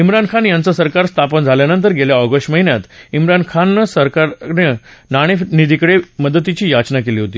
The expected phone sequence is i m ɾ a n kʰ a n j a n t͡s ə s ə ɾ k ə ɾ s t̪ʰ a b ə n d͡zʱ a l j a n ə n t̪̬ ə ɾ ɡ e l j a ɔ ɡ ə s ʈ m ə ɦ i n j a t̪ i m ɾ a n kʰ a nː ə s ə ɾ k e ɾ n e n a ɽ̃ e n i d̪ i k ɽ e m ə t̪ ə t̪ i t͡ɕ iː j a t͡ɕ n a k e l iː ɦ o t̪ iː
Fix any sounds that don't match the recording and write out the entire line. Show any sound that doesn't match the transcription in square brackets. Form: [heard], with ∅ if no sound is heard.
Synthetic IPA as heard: i m ɾ a n kʰ a n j a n t͡s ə s ə ɾ k [a] ɾ s t̪ʰ a [p] ə n d͡zʱ a l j a n ə n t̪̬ ə ɾ ɡ e l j a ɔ ɡ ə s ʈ m ə ɦ i n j a t̪ i m ɾ a n kʰ a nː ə s ə ɾ k [a] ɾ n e n a ɽ̃ e n i d̪ i k ɽ e m ə [d̪] ə t̪ i t͡ɕ iː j a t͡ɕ n a k e l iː ɦ o t̪ iː

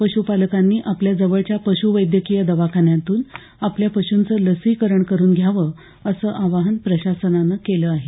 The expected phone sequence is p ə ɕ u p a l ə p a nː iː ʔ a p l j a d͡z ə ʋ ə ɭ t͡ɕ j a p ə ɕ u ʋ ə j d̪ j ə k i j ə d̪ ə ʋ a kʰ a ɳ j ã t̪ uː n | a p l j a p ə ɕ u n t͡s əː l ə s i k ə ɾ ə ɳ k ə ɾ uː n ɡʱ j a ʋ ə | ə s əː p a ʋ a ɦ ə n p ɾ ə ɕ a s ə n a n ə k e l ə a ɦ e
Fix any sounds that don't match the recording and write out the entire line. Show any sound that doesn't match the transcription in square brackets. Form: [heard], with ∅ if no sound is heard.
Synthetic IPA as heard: p ə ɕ u p a l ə [k] a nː iː ʔ a p l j a d͡z ə ʋ ə ɭ t͡ɕ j a p ə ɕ u ʋ ə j d̪ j ə k i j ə d̪ ə ʋ a kʰ a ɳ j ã t̪ uː n | a p l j a p ə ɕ u n t͡s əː l ə s i k ə ɾ ə ɳ k ə ɾ uː n ɡʱ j a ʋ ə | ə s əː [ʔ] a ʋ a ɦ ə n p ɾ ə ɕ a s ə n a n ə k e l ə a ɦ e

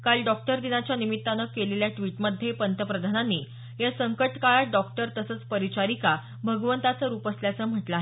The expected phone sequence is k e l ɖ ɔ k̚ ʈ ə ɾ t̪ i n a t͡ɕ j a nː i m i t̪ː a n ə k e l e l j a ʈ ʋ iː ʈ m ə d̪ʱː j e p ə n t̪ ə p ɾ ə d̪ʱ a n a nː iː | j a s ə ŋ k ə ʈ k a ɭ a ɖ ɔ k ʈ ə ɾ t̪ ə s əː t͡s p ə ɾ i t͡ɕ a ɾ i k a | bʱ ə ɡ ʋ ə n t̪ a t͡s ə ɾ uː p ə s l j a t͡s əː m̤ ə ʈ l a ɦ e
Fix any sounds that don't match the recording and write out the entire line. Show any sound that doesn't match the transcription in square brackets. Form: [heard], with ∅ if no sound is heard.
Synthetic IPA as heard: k [a] l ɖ ɔ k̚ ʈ ə ɾ [d̪] i n a t͡ɕ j a [n] i m i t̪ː a n ə k e l e l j a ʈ ʋ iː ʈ m ə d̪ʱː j e p ə n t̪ ə p ɾ ə d̪ʱ a n a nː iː | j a s ə ŋ k ə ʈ k a ɭ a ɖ ɔ k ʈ ə ɾ t̪ ə s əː t͡s p ə ɾ i t͡ɕ a ɾ i k a | bʱ ə ɡ ʋ ə n t̪ a t͡s ə ɾ uː p ə s l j a t͡s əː m̤ ə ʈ l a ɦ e

